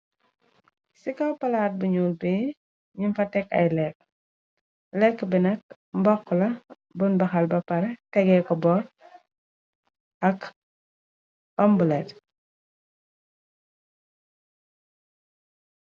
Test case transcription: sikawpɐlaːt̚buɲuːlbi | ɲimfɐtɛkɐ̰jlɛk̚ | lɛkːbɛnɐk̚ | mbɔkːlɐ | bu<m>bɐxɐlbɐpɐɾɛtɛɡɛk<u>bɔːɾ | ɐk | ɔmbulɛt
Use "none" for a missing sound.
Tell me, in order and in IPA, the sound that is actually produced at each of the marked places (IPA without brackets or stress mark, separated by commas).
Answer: n, ɔ